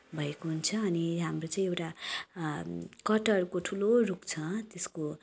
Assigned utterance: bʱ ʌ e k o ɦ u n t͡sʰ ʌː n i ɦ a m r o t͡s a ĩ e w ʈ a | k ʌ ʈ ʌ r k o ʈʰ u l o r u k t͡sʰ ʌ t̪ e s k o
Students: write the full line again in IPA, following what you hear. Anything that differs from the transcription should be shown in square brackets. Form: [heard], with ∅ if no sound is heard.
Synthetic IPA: bʱ ʌ e k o ɦ u n t͡sʰ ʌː n i ɦ a m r o t͡s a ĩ e w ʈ a | k ʌ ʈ ʌ r k o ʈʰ u l o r u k t͡sʰ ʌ t̪ e s k o